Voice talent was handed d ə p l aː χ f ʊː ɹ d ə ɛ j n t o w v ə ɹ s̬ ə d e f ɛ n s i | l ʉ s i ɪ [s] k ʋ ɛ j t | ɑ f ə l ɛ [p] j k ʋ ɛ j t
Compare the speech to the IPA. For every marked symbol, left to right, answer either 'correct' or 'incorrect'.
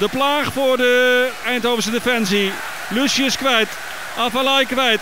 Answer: correct, incorrect: none

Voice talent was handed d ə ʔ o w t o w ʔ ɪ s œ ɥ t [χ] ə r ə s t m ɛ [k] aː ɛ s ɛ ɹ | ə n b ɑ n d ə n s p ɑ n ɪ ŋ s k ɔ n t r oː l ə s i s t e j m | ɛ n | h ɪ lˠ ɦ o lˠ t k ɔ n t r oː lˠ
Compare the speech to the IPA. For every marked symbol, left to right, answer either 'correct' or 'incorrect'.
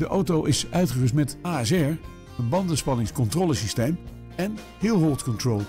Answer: correct, incorrect: t

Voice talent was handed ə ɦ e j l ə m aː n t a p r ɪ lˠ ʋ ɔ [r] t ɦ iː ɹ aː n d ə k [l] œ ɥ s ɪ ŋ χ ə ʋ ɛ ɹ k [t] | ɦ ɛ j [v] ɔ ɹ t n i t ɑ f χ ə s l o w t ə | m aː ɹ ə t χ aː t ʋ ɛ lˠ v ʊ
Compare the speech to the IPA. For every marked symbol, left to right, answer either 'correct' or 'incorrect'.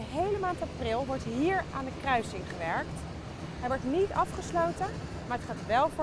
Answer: incorrect: ɹ, incorrect: r, correct, incorrect: ʋ

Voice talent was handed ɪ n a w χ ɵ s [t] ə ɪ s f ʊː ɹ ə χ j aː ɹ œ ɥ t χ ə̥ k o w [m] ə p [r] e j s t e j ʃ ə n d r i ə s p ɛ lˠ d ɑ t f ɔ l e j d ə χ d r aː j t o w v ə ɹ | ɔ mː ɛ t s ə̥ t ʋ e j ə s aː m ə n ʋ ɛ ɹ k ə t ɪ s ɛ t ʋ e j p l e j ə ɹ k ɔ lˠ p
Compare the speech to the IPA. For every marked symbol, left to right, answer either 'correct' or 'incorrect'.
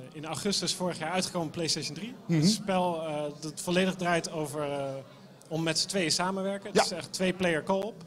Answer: correct, correct, incorrect: l

